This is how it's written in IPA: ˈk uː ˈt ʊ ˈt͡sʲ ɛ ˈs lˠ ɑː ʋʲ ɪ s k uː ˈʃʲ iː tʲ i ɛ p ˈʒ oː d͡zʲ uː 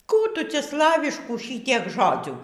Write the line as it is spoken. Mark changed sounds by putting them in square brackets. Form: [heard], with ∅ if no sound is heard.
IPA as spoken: ˈk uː ˈt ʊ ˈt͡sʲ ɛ ˈs lˠ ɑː ʋʲ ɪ [ʃ] k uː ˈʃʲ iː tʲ i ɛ [k] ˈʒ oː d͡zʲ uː